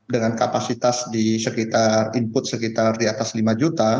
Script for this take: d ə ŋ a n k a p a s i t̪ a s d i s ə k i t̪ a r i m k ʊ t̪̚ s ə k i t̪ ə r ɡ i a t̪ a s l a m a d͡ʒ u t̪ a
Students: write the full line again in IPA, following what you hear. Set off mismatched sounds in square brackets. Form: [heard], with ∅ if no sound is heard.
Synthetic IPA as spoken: d ə ŋ a n k a p a s i t̪ a s d i s ə k i t̪ a r i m [p] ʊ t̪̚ s ə k i t̪ [a] r [d] i a t̪ a s l [i] m a d͡ʒ u t̪ a